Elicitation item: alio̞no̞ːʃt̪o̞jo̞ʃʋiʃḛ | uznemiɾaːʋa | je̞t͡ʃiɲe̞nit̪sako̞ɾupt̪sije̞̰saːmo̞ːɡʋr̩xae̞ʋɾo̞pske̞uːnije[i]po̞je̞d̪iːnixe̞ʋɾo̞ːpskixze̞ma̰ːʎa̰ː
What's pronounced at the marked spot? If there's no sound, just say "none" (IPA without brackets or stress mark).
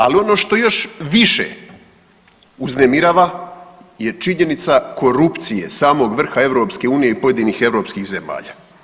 i